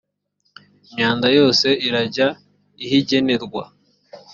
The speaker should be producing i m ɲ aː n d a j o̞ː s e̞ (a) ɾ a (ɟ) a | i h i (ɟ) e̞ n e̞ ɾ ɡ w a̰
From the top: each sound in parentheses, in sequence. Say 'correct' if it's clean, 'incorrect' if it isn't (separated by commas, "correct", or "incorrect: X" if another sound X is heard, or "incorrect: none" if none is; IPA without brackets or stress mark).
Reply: incorrect: i, correct, correct